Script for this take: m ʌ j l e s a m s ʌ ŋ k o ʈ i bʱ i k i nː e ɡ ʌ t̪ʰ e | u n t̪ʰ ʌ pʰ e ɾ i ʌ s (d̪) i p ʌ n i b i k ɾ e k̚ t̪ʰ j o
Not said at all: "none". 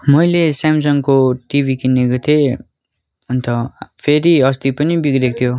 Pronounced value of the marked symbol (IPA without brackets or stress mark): t̪